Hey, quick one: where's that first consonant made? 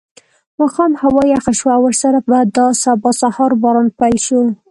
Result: lips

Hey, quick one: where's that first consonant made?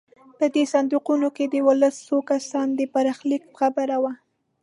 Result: lips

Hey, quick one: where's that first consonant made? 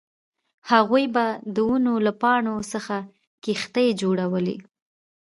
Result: throat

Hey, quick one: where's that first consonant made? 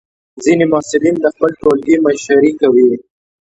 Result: tongue tip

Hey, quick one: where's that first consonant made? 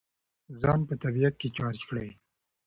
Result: tongue tip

